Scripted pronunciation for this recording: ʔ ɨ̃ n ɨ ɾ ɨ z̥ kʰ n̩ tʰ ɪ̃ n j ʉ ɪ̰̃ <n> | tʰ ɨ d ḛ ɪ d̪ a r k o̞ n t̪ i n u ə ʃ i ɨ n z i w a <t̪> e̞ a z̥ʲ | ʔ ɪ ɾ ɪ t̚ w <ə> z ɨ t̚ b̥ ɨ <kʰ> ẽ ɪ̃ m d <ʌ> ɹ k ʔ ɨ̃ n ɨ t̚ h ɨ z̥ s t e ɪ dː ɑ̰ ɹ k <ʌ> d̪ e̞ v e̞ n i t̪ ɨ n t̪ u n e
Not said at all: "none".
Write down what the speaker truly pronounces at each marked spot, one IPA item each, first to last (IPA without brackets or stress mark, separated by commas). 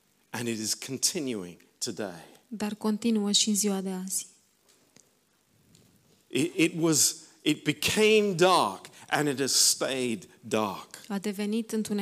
ŋ, d̪, ʌ, kʰ, ɑ, a